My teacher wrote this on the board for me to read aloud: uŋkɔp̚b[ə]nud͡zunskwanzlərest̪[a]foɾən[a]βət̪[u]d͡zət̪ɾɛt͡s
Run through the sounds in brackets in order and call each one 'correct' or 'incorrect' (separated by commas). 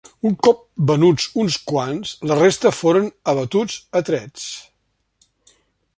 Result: correct, incorrect, incorrect, correct